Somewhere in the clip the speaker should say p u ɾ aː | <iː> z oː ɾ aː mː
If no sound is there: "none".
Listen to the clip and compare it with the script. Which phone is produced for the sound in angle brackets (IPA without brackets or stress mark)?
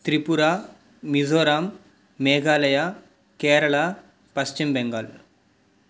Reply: i